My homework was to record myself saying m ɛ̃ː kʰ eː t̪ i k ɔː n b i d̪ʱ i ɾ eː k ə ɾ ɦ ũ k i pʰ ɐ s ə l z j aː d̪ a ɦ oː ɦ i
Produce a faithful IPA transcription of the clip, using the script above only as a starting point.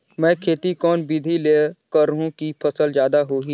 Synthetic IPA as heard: m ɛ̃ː kʰ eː t̪ i k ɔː n b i d̪ʱ i l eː k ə ɾ ɦ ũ k i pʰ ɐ s ə l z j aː d̪ a ɦ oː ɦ i